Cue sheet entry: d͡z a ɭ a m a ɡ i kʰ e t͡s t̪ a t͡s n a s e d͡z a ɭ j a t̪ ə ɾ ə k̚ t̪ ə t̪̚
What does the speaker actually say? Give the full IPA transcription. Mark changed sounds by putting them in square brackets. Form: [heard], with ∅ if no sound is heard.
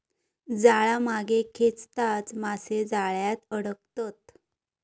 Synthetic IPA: d͡z a ɭ a m a ɡ [e] kʰ e t͡s t̪ a t͡s [m] a s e d͡z a ɭ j a t̪ ə [ɽ] ə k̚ t̪ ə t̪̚